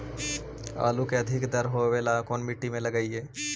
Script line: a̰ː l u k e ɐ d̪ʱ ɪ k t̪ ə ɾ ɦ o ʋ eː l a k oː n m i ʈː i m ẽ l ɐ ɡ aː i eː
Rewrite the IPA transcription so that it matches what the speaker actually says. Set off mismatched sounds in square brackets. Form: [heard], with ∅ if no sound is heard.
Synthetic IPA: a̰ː l u k e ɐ d̪ʱ ɪ k [d̪] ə ɾ ɦ o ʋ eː l a k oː n m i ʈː i m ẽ l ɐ ɡ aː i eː

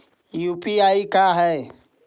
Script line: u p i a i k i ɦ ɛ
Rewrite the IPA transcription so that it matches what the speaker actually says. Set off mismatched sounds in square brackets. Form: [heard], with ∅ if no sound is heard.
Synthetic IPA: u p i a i k [a] ɦ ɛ

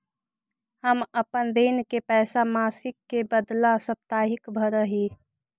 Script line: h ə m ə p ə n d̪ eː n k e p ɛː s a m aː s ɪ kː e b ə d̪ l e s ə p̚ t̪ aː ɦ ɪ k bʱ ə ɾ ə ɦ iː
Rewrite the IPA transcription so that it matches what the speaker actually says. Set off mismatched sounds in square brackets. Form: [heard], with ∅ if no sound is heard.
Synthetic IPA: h ə m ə p ə n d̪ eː n k e p ɛː s a m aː s ɪ kː e b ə d̪ l [a] s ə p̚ t̪ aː ɦ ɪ k bʱ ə ɾ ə ɦ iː

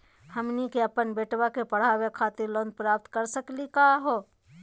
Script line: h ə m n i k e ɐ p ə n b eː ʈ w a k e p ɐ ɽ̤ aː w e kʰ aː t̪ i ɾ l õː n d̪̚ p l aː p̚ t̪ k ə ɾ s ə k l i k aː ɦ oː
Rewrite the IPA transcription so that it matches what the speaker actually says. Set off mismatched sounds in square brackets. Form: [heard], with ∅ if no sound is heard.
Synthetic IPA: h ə m n i k e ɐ p ə n b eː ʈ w a k e p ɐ ɽ̤ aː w e kʰ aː t̪ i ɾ l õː n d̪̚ p [ɾ] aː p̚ t̪ k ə ɾ s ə k l i k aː ɦ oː

